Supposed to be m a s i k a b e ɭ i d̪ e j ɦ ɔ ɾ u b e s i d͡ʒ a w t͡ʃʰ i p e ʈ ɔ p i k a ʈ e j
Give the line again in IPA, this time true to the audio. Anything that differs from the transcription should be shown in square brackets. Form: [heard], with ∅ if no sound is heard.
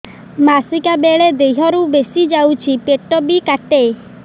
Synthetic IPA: m a s i k a b e ɭ [e] d̪ e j ɦ ɔ ɾ u b e s i d͡ʒ a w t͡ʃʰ i p e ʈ ɔ [b] i k a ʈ e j